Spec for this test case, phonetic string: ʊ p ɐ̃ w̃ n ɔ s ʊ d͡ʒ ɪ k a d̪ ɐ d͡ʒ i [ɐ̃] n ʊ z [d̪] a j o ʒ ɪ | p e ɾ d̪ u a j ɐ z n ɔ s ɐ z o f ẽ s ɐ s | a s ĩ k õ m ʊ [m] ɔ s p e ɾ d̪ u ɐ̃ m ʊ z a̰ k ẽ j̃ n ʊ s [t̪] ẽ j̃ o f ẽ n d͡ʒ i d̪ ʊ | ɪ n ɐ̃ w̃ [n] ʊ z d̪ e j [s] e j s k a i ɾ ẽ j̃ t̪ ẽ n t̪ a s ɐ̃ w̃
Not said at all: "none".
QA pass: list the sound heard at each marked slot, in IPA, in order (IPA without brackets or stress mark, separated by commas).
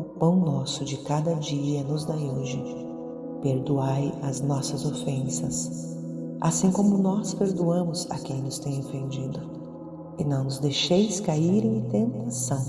ɐ, d̪, n, t̪, n, ʃ